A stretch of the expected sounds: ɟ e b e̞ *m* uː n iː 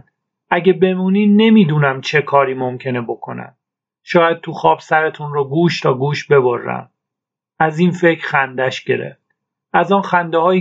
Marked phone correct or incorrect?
correct